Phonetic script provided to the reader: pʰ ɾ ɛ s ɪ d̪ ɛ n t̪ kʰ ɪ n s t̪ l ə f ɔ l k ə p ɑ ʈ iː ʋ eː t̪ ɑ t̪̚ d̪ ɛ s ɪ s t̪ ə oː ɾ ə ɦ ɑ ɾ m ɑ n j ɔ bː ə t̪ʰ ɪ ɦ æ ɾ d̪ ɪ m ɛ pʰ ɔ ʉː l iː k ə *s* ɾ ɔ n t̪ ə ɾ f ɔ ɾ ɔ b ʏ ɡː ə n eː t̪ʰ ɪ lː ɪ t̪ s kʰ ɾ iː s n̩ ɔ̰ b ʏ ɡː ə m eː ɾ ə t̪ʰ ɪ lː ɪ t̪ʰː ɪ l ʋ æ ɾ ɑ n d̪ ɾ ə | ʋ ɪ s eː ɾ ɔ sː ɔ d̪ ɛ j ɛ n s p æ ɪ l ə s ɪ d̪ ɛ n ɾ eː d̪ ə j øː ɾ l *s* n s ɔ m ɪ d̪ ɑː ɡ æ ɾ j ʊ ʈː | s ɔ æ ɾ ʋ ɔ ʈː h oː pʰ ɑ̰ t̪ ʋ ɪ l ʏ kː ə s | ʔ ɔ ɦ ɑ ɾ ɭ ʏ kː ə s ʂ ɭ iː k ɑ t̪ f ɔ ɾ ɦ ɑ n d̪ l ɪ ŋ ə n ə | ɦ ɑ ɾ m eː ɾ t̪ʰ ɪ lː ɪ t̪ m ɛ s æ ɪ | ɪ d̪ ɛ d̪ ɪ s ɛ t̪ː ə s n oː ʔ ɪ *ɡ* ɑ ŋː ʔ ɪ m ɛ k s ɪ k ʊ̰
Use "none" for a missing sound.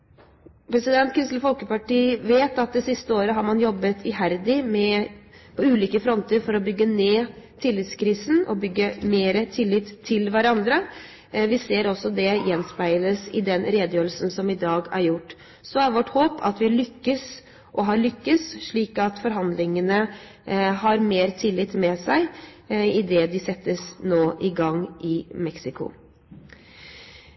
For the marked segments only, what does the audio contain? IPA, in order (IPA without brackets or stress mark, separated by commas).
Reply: f, s, ɡ